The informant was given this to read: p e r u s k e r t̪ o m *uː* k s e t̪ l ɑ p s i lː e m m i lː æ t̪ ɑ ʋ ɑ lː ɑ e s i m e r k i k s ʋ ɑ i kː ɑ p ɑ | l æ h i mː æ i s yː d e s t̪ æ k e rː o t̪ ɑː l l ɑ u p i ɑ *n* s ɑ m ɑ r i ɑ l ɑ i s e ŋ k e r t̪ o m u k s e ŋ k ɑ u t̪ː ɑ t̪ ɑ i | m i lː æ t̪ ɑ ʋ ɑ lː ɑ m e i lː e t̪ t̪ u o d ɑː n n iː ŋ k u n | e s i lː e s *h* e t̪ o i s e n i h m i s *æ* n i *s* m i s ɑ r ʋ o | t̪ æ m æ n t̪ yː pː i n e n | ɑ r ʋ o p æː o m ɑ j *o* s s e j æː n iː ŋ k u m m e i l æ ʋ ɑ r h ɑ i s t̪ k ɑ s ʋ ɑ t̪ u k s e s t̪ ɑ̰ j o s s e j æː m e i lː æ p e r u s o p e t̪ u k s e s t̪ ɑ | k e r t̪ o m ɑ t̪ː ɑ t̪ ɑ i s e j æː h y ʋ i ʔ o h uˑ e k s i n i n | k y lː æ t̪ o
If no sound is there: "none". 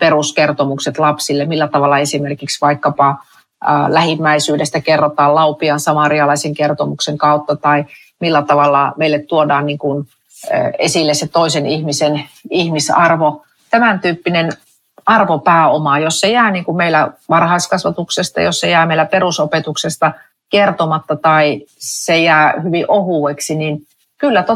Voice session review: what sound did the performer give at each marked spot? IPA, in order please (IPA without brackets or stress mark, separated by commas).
u, n, s, e, h, o